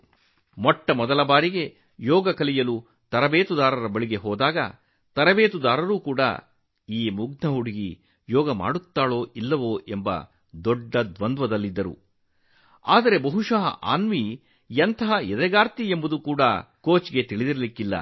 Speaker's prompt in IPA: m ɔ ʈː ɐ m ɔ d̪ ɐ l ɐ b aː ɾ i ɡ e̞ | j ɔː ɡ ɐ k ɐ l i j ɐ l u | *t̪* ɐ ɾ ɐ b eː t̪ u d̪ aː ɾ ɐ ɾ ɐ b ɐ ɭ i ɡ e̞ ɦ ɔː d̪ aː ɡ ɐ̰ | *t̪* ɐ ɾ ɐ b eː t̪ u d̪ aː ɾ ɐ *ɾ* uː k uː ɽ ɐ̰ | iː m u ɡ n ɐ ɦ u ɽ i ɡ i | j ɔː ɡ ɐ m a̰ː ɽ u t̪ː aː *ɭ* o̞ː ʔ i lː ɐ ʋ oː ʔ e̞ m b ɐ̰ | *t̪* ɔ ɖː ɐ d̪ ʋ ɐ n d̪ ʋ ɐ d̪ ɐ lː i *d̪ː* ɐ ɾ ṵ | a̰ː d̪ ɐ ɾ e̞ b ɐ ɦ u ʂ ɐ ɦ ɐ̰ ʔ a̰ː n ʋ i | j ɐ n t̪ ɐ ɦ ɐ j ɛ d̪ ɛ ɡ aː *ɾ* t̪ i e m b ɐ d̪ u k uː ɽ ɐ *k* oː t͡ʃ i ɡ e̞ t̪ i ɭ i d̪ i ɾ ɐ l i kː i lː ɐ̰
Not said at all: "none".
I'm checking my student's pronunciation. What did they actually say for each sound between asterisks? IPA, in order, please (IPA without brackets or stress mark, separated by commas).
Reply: t̪, t̪, ɾ, ɭ, d̪, d̪ː, ɾ, k